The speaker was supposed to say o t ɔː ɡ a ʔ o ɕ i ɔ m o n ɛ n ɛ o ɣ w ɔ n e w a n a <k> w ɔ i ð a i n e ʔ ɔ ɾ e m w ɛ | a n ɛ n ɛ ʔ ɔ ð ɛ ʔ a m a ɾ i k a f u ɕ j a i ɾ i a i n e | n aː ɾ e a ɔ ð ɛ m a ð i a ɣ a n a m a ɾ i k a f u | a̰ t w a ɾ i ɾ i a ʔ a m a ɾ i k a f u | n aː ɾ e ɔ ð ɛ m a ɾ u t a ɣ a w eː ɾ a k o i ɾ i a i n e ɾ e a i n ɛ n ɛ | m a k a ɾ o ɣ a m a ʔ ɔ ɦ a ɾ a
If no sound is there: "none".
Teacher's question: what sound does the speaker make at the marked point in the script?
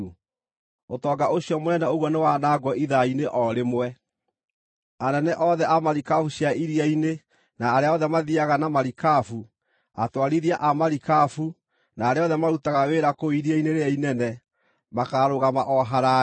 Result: ɡ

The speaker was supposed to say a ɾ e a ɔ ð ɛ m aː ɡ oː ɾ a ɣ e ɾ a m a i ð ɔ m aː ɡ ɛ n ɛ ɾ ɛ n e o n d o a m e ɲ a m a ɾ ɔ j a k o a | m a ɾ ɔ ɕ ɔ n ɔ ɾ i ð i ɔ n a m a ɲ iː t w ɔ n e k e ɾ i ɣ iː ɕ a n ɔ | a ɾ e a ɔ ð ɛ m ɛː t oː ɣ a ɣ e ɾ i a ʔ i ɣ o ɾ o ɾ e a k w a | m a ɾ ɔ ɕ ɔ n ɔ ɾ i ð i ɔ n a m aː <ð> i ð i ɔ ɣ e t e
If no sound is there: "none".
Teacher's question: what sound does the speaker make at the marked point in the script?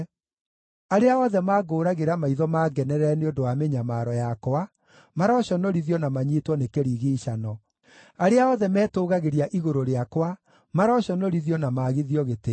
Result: ɣ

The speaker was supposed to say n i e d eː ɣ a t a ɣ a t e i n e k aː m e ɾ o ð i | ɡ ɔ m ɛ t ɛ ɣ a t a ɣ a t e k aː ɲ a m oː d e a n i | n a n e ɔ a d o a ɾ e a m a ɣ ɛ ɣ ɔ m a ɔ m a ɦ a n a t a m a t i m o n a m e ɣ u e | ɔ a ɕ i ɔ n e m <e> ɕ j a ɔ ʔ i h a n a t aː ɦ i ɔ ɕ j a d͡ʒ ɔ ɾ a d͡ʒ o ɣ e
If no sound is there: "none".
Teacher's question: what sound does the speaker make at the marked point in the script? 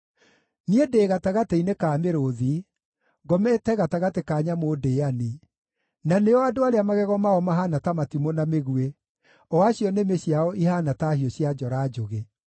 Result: e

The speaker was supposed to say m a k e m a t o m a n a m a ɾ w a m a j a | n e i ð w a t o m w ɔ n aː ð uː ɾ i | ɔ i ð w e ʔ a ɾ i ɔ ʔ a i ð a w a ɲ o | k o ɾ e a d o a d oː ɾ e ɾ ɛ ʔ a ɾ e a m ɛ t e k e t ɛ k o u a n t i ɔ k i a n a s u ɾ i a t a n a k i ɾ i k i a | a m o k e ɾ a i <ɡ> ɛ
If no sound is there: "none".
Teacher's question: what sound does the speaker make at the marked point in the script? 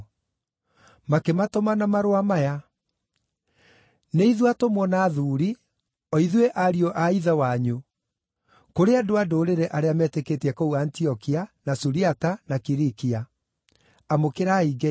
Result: ɡ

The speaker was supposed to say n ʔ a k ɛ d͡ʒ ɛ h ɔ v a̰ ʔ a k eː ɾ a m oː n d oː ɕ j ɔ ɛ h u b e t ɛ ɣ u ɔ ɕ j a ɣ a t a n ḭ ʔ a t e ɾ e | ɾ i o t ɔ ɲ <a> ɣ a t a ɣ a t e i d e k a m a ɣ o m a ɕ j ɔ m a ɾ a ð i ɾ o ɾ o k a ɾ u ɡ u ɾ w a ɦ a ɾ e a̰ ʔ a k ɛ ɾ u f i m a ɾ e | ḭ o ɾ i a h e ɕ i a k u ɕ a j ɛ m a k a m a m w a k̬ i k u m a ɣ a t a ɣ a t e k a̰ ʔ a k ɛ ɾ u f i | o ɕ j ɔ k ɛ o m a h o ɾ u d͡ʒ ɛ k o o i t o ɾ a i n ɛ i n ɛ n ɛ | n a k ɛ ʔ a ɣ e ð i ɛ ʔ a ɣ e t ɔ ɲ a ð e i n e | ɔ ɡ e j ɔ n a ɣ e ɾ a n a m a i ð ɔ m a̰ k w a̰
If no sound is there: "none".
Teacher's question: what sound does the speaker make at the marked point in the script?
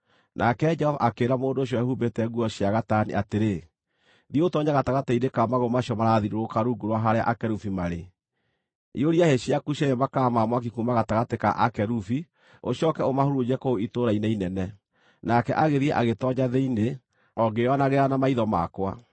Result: a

